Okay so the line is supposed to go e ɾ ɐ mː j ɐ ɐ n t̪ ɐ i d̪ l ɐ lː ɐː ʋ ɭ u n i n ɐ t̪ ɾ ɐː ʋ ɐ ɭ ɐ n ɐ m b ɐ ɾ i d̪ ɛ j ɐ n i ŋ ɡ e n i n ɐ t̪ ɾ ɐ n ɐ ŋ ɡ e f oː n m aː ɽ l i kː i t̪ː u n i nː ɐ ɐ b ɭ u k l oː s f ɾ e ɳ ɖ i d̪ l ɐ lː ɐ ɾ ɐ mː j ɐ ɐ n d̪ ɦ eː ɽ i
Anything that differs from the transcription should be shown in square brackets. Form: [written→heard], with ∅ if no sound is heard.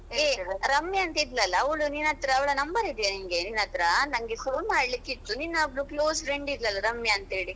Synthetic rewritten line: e ɾ ɐ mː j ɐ ɐ n t̪ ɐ i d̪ l ɐ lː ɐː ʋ ɭ u n i n ɐ t̪ ɾ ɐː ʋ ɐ ɭ ɐ n ɐ m b ɐ ɾ i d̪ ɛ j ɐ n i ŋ ɡ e n i n ɐ t̪ ɾ ɐ n ɐ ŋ ɡ e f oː n m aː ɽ l i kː i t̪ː u n i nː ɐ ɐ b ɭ u k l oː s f ɾ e ɳ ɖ i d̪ l ɐ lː ɐ ɾ ɐ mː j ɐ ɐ n [d̪→t̪] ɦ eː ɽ i